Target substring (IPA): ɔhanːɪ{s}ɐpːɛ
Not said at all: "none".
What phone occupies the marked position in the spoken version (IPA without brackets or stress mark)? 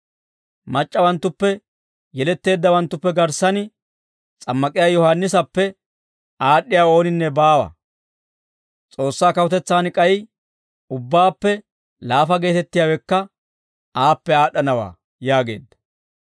s